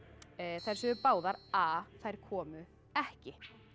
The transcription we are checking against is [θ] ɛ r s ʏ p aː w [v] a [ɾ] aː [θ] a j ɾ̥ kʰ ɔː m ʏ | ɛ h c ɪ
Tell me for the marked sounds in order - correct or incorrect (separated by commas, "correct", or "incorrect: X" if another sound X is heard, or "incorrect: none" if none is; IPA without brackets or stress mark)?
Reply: correct, incorrect: ð, correct, correct